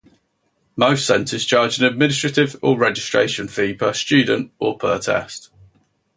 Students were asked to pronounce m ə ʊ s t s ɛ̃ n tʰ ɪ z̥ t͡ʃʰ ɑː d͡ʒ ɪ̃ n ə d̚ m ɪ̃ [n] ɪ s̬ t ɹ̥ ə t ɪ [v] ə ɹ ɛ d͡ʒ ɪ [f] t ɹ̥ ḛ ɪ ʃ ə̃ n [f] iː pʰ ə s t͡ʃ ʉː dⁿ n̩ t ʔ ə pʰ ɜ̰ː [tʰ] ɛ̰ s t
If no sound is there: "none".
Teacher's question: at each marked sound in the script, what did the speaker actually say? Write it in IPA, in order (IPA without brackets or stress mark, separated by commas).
n, v, s, f, tʰ